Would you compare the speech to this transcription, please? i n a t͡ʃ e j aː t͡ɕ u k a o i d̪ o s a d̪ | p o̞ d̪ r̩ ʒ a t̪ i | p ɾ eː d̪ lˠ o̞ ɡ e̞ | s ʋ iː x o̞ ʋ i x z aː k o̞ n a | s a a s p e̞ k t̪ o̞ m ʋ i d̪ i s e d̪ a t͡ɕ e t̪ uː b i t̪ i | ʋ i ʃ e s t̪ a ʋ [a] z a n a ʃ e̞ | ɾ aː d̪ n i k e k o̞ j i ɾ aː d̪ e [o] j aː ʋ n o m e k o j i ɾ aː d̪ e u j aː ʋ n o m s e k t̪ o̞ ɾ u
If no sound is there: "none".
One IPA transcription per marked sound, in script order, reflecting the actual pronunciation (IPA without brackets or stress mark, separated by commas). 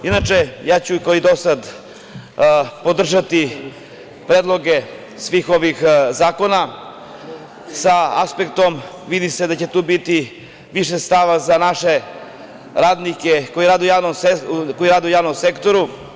a, u